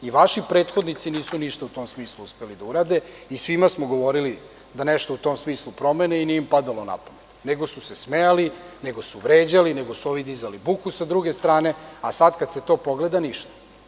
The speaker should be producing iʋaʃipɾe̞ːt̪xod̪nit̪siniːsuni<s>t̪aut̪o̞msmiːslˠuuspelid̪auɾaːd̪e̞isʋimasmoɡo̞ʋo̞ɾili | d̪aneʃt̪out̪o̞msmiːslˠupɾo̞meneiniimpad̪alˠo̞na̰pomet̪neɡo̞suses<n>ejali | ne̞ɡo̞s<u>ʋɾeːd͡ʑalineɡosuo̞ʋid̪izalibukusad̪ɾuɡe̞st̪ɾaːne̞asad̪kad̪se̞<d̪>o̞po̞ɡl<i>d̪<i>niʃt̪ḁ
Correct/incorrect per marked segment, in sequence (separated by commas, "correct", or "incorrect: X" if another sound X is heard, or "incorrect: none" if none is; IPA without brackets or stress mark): incorrect: ʃ, incorrect: m, correct, incorrect: t̪, incorrect: e, incorrect: a